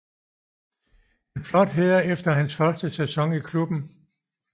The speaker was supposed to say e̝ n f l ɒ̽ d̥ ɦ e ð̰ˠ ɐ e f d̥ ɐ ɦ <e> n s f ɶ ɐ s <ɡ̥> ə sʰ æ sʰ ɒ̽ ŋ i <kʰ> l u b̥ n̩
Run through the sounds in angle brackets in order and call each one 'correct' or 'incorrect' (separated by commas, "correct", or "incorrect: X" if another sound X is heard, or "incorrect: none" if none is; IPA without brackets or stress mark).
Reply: incorrect: æ, incorrect: d̥, correct